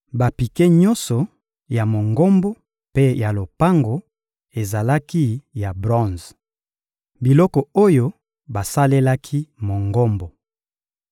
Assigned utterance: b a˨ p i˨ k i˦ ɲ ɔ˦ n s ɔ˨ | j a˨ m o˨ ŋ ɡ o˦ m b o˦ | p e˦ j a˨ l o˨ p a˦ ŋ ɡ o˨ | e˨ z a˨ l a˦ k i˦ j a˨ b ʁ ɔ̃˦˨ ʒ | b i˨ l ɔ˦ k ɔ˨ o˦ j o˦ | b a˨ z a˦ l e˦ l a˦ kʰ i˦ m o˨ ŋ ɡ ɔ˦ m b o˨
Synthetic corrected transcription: b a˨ p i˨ k e˦ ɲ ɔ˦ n s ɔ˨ | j a˨ m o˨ ŋ ɡ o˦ m b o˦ | p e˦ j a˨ l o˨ p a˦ ŋ ɡ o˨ | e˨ z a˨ l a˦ k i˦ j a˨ b ʁ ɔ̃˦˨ z | b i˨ l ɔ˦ k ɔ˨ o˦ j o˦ | b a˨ s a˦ l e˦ l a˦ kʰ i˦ m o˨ ŋ ɡ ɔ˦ m b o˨